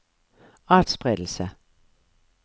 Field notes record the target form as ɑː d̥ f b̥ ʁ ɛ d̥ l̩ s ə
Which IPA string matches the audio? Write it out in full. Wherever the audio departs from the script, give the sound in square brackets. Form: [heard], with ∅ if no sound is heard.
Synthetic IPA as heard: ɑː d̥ [s] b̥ ʁ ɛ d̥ l̩ s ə